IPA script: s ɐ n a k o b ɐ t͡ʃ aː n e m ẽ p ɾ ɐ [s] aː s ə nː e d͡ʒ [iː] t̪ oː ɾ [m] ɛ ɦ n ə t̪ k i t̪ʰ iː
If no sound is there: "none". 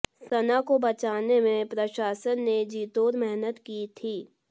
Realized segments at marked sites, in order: ʃ, iː, m

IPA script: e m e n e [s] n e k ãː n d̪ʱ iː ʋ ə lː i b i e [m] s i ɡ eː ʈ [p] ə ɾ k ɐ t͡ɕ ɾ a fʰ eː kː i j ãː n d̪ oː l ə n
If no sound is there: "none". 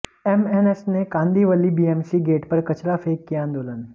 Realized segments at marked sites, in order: s, m, p

